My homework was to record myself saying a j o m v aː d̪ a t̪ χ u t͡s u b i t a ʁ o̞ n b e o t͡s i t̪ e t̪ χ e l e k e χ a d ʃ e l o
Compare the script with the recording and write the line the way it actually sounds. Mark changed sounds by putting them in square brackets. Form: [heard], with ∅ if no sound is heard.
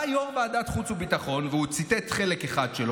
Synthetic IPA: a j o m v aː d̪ a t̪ χ u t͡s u b i t a [χ] o̞ n [v] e [u] t͡s i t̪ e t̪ χ e l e k e χ a d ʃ e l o